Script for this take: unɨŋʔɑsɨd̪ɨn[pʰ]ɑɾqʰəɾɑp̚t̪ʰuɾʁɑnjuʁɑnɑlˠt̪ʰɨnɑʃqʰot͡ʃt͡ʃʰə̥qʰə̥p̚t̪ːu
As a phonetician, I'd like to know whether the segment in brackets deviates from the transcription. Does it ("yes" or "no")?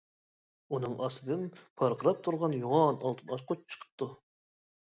no